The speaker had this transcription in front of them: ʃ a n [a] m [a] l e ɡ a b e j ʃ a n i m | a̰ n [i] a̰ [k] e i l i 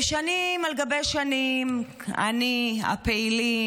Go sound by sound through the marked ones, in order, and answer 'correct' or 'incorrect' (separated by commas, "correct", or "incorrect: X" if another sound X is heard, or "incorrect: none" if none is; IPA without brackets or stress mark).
incorrect: i, correct, correct, incorrect: p